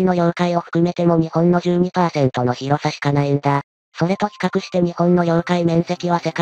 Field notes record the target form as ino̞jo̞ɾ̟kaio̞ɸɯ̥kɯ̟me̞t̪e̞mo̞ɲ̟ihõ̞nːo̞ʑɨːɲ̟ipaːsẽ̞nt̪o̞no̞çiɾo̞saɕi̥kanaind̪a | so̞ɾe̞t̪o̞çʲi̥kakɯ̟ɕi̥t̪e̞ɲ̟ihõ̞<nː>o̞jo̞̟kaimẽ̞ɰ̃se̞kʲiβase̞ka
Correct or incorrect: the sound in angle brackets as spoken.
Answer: correct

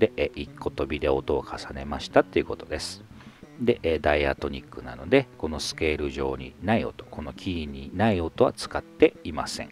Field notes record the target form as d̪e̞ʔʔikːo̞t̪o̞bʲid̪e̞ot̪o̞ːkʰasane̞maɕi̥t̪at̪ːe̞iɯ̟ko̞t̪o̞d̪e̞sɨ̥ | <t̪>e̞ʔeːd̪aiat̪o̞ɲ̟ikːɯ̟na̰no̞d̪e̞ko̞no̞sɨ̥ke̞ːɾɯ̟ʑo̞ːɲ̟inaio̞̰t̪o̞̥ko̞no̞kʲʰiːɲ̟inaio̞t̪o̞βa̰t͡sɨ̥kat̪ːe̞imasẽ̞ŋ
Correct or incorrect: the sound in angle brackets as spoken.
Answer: incorrect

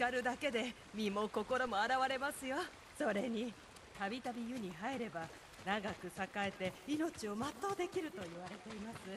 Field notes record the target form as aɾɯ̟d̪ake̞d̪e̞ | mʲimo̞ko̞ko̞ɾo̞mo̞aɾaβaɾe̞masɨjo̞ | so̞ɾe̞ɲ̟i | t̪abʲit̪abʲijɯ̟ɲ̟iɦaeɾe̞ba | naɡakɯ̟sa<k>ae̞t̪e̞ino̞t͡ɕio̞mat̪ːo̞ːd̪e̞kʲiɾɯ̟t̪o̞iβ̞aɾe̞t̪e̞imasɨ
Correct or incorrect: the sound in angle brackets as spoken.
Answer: correct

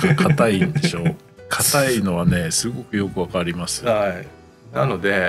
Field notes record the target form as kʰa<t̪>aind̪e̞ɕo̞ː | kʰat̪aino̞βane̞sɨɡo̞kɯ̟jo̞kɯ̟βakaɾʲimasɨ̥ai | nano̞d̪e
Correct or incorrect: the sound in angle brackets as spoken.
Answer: correct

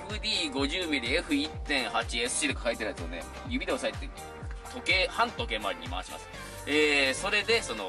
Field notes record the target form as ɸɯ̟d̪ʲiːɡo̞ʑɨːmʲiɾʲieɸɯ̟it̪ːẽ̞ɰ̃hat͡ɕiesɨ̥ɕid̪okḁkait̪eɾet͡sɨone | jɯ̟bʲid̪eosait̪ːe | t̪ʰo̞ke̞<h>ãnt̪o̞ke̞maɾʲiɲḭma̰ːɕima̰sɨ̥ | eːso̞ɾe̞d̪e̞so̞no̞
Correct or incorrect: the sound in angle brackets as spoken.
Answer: correct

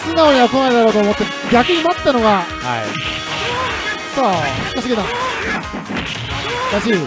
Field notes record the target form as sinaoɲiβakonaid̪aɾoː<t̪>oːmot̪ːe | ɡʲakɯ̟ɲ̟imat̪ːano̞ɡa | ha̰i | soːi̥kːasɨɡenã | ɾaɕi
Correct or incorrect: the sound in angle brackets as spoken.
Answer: correct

